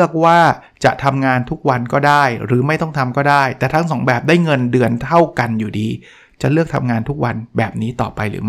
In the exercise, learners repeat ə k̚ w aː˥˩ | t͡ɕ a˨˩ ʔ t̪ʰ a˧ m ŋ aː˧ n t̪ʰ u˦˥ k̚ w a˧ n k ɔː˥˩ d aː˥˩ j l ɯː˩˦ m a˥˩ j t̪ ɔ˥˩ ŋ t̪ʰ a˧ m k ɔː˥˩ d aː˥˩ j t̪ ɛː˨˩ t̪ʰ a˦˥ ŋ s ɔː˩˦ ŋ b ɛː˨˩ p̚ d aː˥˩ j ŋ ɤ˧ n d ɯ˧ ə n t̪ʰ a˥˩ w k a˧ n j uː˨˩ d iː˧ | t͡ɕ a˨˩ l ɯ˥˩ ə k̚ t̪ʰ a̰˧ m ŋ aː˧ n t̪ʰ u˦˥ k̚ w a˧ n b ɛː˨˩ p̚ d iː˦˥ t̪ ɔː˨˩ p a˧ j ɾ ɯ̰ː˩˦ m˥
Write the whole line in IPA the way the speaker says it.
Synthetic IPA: ə k̚ w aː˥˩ | t͡ɕ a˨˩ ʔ t̪ʰ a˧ m ŋ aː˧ n t̪ʰ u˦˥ k̚ w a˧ n k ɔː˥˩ d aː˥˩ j ɾ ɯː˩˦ m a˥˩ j t̪ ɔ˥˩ ŋ t̪ʰ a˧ m k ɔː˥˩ d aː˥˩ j t̪ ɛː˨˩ t̪ʰ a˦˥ ŋ s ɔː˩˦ ŋ b ɛː˨˩ p̚ d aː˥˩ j ŋ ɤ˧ n d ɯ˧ ə n t̪ʰ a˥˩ w k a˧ n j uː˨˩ d iː˧ | t͡ɕ a˨˩ l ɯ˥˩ ə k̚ t̪ʰ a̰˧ m ŋ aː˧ n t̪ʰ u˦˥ k̚ w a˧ n b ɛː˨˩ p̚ n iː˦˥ t̪ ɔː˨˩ p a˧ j ɾ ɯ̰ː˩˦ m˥